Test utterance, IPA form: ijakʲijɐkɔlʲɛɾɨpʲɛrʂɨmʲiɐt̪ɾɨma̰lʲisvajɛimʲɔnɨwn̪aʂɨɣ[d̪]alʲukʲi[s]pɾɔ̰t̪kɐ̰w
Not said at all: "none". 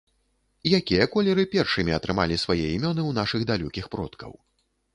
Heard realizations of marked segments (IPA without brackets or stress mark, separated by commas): d̪, x